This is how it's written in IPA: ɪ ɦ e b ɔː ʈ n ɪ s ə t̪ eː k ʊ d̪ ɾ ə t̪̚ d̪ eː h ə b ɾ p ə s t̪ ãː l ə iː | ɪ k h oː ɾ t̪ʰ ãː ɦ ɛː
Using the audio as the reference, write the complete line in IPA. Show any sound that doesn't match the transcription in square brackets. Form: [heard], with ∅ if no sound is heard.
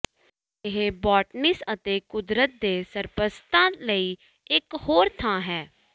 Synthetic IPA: ɪ ɦ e b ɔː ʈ n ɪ s ə t̪ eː k ʊ d̪ ɾ ə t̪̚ d̪ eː [s] ə [∅] ɾ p ə s t̪ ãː l ə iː | ɪ k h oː ɾ t̪ʰ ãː ɦ ɛː

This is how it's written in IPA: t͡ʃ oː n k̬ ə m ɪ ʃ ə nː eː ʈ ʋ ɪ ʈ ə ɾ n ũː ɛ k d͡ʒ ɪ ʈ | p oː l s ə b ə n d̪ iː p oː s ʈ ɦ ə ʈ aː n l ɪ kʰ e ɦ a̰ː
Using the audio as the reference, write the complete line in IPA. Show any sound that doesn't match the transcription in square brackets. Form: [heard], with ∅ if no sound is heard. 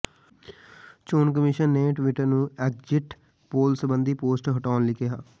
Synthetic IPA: t͡ʃ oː n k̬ ə m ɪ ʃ ə nː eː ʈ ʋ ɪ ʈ ə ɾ n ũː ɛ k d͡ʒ ɪ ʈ | p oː l s ə b ə n d̪ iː p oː s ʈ ɦ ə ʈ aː n l ɪ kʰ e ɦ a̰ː

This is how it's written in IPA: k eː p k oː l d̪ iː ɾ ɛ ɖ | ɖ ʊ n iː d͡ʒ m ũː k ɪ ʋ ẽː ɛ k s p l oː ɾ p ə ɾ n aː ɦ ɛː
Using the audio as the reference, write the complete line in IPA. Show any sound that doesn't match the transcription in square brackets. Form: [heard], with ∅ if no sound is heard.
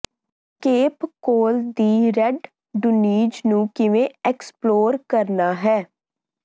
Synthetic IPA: k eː p k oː l d̪ iː ɾ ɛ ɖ | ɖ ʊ n iː d͡ʒ [n] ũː k ɪ ʋ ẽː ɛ k s p l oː ɾ [k] ə ɾ n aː ɦ ɛː

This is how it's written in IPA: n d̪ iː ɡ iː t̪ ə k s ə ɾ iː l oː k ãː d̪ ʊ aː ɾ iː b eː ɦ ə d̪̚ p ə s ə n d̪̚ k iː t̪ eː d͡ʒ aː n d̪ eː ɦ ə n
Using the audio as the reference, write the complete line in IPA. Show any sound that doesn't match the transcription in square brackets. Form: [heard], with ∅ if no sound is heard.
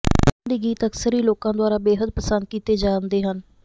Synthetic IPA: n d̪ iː ɡ iː t̪ ə k s ə ɾ iː l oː k ãː d̪ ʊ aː ɾ [aː] b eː ɦ ə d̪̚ p ə s ə n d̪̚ k iː t̪ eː d͡ʒ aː n d̪ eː ɦ ə n

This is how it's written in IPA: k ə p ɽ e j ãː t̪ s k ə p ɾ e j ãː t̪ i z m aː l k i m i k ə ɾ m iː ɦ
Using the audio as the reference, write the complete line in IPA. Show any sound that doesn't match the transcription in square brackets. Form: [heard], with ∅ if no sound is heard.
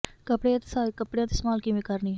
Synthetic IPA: k ə p ɽ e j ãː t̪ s k ə p [ɽ] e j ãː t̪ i [s] m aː l k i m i k ə ɾ [n] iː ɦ

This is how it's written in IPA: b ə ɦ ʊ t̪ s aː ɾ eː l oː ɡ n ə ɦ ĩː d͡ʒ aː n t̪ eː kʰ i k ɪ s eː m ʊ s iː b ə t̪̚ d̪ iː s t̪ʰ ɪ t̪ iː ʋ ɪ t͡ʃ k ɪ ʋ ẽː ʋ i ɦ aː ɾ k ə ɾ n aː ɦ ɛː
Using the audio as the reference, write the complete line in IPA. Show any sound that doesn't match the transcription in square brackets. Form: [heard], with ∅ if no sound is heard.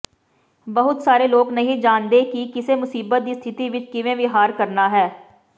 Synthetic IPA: b ə ɦ ʊ t̪ s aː ɾ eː l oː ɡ n ə ɦ ĩː d͡ʒ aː n [d̪] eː [k] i k ɪ s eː m ʊ s iː b ə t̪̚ d̪ iː s t̪ʰ ɪ t̪ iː ʋ ɪ t͡ʃ k ɪ ʋ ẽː ʋ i ɦ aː ɾ k ə ɾ n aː ɦ ɛː

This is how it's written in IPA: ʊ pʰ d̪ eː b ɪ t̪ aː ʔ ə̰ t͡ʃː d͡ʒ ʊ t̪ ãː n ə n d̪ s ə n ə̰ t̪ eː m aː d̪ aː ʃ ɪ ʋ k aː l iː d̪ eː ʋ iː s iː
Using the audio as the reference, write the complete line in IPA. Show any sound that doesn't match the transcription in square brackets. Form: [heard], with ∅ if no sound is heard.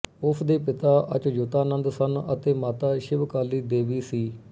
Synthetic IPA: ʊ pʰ d̪ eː [p] ɪ t̪ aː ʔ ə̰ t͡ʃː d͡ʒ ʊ t̪ [aː] n ə n d̪ s ə n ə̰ t̪ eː m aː [t̪] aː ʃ ɪ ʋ k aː l iː d̪ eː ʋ iː s iː

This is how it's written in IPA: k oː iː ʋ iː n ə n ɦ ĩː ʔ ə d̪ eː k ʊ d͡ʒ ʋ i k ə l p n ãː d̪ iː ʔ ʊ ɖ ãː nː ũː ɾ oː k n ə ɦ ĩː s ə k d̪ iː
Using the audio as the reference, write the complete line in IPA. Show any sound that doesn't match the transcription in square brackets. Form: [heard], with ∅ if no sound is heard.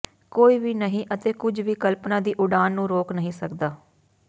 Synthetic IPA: k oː iː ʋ iː n ə [∅] ɦ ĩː ʔ ə [t̪] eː k ʊ d͡ʒ ʋ [iː] k ə l p n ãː d̪ iː ʔ ʊ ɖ [aː] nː ũː ɾ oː k n ə ɦ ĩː s ə k d̪ [aː]

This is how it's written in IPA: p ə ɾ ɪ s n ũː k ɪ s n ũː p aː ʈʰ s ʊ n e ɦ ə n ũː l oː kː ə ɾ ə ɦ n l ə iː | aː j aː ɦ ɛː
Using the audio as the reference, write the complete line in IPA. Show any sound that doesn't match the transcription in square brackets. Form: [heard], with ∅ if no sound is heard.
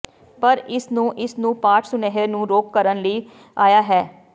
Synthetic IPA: p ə ɾ ɪ s n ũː [ʔ] ɪ s n ũː p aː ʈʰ s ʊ n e ɦ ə n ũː [ɾ] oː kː ə ɾ ə [∅] n l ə iː | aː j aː ɦ ɛː

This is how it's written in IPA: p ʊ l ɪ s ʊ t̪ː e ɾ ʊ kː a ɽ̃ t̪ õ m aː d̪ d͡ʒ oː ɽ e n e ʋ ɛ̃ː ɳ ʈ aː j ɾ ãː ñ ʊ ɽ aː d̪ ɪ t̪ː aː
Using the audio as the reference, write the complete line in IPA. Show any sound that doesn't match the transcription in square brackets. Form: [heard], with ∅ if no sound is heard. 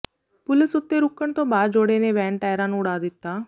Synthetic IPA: p ʊ l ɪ s ʊ t̪ː e ɾ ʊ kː [ə] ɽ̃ t̪ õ [b] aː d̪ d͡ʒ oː ɽ e n e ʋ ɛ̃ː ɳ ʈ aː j ɾ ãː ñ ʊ ɽ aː d̪ ɪ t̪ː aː

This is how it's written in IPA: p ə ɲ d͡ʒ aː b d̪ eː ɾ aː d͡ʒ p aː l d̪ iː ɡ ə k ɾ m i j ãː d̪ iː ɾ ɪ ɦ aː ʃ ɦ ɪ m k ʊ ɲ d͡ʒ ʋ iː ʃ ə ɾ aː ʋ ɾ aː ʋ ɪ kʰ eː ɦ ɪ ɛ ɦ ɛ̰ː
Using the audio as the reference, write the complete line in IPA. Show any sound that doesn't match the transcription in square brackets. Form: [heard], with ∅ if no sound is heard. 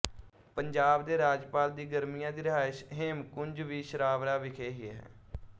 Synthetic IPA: p ə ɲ d͡ʒ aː b d̪ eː ɾ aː d͡ʒ p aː l d̪ iː ɡ ə [∅] ɾ m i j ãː d̪ iː ɾ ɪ ɦ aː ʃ ɦ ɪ m k ʊ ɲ d͡ʒ ʋ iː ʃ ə ɾ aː ʋ ɾ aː ʋ ɪ kʰ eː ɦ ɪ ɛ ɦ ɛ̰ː

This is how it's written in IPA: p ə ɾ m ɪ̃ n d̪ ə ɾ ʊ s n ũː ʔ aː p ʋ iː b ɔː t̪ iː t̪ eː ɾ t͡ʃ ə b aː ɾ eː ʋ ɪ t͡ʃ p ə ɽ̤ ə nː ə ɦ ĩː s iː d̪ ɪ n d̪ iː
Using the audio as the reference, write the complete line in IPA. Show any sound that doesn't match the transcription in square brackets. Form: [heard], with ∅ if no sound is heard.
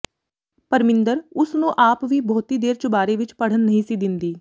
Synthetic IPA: p ə ɾ m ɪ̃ n d̪ ə ɾ ʊ s n ũː ʔ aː p ʋ iː b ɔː t̪ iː [d̪] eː ɾ t͡ʃ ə b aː ɾ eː ʋ ɪ t͡ʃ p ə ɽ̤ ə nː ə ɦ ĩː s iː d̪ ɪ n d̪ iː

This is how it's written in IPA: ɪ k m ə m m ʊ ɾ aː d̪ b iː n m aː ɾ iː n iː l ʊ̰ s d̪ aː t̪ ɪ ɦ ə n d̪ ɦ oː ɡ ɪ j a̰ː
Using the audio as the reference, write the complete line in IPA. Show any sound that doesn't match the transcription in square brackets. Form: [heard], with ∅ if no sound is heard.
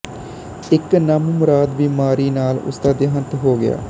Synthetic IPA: ɪ k [n] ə m m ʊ ɾ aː d̪ b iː [∅] m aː ɾ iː n [aː] l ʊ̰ s d̪ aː [d̪] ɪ ɦ ə n [t̪] ɦ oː ɡ ɪ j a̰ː

